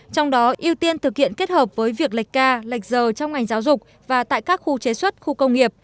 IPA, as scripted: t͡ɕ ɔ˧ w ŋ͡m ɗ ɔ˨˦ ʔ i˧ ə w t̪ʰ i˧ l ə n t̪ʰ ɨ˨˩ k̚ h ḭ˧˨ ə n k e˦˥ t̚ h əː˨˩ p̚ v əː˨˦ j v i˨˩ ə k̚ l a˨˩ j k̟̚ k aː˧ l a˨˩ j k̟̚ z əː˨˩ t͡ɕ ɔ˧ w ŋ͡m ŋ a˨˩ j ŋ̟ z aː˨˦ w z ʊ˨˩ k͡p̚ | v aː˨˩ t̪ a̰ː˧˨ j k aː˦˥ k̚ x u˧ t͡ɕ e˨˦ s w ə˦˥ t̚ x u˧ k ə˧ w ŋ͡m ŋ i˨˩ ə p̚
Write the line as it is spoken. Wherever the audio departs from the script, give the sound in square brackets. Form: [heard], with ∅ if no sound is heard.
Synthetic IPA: t͡ɕ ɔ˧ w ŋ͡m ɗ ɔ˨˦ ʔ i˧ ə w [t̪] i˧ [∅] ə n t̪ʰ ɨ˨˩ k̚ h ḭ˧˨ ə n k e˦˥ t̚ h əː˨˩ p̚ v əː˨˦ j v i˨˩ ə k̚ l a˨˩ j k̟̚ k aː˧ l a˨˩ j k̟̚ z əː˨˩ t͡ɕ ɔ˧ w ŋ͡m ŋ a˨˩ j ŋ̟ z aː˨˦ w z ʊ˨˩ k͡p̚ | v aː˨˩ t̪ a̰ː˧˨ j k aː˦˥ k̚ x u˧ t͡ɕ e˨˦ s w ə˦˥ t̚ x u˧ k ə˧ w ŋ͡m ŋ i˨˩ ə p̚